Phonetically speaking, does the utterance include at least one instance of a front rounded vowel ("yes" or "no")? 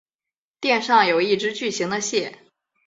yes